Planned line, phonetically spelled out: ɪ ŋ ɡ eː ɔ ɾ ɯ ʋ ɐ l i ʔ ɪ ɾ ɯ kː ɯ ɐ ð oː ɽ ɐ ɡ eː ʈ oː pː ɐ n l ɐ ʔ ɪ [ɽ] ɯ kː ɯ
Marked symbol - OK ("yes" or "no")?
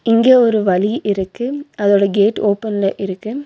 no